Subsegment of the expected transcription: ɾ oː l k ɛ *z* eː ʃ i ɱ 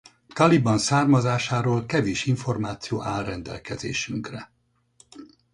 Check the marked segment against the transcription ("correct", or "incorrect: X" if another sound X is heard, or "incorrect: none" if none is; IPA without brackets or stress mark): incorrect: v